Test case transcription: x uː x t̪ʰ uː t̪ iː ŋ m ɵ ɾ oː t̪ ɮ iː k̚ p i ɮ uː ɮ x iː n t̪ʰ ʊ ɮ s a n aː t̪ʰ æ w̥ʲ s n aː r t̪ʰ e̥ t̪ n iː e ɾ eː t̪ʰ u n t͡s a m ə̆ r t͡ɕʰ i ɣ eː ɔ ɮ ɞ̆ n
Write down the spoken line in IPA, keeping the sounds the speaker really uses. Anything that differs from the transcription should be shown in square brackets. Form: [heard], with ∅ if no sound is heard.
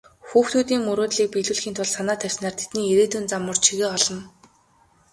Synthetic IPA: x uː x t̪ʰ uː t̪ iː ŋ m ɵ ɾ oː t̪ ɮ iː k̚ p i ɮ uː ɮ x iː n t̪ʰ ʊ ɮ s a n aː t̪ʰ æ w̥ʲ s n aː r t̪ʰ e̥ t̪ n iː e ɾ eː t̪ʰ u n t͡s a m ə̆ r t͡ɕʰ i ɣ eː ɔ ɮ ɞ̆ n